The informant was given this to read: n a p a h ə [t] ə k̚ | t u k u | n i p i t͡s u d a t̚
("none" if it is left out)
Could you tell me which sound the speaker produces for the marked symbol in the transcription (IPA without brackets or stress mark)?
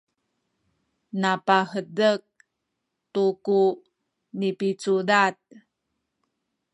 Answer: d